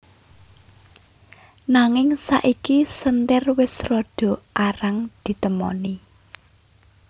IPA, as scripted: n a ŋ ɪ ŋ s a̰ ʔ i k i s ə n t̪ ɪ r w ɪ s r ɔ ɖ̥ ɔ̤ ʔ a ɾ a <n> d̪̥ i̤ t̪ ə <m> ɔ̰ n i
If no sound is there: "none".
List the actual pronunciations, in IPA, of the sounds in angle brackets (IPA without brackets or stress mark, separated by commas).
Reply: ŋ, m